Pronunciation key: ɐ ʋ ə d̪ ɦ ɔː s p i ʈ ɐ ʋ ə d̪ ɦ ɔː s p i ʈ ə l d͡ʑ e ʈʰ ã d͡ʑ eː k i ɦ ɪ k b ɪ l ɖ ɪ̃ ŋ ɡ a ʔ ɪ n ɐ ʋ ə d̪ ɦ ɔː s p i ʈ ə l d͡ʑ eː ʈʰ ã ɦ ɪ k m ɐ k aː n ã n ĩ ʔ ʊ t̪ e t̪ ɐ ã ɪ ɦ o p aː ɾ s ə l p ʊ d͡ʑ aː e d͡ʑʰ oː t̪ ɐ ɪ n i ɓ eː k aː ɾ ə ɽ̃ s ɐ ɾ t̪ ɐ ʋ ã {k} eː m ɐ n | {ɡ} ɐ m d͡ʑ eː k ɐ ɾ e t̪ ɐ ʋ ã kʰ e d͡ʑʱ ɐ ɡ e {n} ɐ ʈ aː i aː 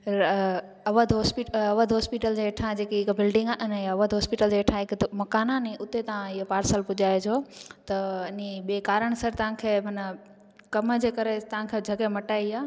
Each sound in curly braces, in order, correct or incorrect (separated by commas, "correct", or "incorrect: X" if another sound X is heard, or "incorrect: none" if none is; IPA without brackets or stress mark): incorrect: kʰ, incorrect: k, incorrect: m